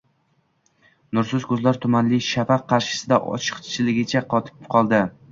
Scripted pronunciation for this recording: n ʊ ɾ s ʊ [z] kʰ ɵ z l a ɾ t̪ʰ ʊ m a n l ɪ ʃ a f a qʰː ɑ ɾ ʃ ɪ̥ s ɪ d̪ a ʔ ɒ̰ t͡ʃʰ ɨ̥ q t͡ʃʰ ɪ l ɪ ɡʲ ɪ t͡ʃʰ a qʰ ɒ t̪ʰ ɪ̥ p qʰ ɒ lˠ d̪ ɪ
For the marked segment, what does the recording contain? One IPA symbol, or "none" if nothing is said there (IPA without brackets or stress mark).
z